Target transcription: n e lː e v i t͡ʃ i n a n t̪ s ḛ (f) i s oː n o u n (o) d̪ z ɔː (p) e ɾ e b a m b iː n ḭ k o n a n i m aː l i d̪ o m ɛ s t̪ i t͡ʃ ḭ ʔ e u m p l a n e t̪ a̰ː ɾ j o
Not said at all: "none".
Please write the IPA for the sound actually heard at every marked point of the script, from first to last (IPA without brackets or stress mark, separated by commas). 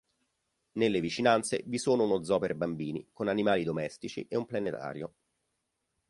v, o, p